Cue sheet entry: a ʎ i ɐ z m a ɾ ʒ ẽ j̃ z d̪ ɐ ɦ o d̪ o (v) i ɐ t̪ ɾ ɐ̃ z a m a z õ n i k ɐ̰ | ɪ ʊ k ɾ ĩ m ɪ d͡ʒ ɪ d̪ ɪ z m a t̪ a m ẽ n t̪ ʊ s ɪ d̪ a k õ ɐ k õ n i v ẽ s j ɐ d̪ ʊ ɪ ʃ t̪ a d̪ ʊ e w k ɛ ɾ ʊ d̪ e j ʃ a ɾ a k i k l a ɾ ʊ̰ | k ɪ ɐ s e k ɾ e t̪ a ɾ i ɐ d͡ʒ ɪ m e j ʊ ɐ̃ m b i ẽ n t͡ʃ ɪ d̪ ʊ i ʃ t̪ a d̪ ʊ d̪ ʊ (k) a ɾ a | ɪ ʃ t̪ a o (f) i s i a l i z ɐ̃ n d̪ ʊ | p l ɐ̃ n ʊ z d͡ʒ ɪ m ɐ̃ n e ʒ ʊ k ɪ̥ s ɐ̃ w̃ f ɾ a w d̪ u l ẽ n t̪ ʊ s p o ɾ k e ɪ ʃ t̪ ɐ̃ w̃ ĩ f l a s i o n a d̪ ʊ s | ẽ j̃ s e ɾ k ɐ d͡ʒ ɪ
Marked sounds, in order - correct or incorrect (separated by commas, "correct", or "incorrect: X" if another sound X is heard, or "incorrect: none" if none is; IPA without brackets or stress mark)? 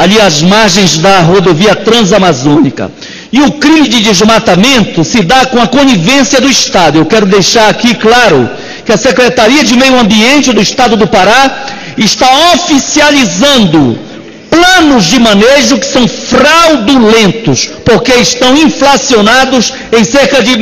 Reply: correct, incorrect: p, correct